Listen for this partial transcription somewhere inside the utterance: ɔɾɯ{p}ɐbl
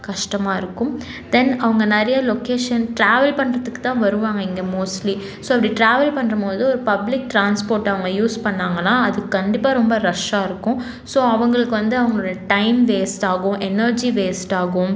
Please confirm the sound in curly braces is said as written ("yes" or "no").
yes